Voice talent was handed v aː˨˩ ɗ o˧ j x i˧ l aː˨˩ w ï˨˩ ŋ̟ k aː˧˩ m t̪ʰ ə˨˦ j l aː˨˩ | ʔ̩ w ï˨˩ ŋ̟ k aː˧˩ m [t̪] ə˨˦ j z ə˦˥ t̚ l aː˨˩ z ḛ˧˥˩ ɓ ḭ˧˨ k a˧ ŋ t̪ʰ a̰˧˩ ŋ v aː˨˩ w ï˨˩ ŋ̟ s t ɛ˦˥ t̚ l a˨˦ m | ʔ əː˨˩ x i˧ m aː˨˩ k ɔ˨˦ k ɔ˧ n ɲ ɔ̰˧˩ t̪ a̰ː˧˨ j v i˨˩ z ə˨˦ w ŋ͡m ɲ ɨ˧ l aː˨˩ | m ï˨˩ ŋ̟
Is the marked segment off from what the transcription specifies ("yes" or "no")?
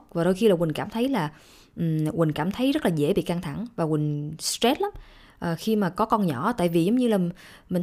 yes